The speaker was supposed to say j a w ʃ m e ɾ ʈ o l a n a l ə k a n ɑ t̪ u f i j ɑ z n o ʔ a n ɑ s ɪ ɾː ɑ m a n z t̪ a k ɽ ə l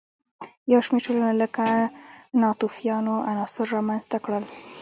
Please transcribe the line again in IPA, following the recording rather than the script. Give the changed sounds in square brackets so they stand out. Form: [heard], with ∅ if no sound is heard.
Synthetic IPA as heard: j a w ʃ m e ɾ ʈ o l a n a l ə k a n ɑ t̪ u f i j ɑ [∅] n o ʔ a n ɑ s ɪ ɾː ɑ m a n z t̪ a k ɽ ə l